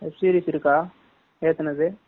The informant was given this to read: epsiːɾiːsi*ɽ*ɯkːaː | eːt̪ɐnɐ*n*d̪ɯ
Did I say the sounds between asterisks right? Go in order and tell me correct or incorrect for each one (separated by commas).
incorrect, incorrect